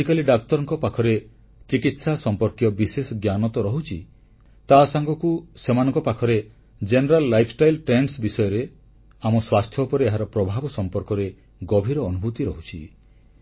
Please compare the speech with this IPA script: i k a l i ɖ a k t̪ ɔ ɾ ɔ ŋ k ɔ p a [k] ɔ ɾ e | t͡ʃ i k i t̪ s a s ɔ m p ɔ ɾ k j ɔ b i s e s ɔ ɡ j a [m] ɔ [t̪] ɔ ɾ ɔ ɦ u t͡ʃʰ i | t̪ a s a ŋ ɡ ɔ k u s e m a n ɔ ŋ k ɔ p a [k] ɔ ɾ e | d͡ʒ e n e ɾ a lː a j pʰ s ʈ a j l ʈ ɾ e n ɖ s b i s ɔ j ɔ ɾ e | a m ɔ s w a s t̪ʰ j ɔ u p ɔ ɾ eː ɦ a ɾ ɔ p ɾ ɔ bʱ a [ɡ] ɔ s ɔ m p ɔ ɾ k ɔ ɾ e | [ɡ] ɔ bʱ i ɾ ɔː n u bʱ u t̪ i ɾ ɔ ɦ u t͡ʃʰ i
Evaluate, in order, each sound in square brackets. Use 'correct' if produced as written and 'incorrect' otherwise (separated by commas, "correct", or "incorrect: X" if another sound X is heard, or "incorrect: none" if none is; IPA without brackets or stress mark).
incorrect: kʰ, incorrect: n, correct, incorrect: kʰ, incorrect: b, correct